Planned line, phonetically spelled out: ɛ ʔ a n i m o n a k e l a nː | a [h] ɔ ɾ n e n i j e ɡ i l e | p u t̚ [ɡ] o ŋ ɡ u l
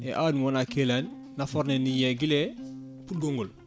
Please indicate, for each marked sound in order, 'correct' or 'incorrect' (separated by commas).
incorrect, correct